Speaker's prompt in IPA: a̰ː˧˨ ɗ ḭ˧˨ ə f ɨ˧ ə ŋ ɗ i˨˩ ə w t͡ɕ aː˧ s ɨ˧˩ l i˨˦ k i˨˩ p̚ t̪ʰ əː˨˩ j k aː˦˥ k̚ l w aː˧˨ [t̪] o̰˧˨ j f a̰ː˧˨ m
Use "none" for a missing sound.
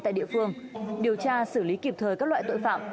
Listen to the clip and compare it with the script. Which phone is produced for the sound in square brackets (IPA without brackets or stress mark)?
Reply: t̪